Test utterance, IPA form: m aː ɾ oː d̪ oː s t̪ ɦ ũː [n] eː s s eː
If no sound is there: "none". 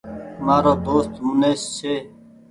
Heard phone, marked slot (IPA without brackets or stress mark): n